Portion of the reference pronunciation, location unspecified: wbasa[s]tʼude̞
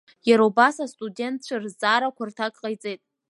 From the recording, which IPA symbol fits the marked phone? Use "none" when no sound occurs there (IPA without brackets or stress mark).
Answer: s